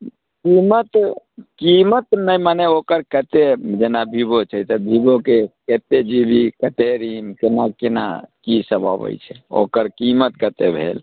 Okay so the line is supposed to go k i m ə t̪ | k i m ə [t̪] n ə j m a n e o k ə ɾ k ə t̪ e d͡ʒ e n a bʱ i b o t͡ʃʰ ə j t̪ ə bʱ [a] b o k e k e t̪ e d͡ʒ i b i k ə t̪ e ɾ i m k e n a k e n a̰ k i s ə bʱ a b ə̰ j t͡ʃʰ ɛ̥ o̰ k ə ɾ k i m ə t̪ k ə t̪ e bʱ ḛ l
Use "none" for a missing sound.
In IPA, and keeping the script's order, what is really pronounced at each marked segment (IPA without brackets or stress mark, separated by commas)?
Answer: t̪, i